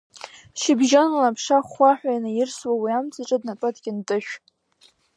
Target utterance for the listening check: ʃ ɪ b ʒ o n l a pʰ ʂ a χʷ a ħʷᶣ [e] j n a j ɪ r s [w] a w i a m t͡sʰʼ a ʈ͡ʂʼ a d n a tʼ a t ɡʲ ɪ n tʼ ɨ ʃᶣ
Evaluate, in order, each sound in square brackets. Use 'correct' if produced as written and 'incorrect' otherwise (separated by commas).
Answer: incorrect, correct